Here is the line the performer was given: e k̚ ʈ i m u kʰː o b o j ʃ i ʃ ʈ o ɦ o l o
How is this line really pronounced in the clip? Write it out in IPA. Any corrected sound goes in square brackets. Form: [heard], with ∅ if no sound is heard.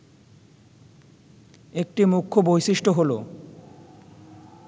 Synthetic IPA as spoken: e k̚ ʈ i m u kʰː o b o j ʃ i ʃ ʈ o ɦ o l o